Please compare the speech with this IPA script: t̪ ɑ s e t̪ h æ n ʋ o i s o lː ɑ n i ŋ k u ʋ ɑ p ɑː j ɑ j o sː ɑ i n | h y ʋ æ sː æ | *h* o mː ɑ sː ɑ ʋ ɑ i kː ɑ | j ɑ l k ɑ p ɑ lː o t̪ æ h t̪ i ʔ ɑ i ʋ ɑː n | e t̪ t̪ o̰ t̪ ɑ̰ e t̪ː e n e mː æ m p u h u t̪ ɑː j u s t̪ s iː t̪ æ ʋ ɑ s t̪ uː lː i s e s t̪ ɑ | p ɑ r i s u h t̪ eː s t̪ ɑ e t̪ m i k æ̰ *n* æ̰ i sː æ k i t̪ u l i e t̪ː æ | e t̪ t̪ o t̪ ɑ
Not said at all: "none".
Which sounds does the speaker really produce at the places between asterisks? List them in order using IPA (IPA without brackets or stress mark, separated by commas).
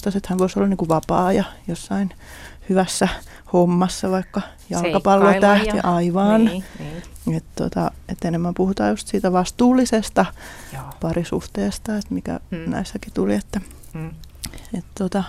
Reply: h, n